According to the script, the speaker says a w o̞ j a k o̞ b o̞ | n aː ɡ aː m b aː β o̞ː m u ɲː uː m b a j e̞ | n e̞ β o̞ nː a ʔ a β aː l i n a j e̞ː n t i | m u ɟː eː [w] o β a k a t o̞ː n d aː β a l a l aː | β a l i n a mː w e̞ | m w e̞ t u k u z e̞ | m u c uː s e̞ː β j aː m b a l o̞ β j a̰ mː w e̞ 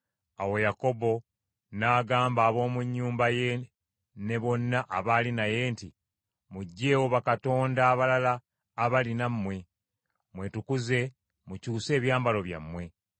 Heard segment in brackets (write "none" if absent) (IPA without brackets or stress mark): w